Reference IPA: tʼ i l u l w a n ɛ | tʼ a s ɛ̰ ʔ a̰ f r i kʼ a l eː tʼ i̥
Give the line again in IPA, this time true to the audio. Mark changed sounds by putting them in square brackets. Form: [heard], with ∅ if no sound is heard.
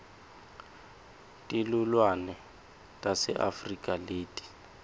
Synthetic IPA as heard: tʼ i l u l w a n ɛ | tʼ a s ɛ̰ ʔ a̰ f r i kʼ a l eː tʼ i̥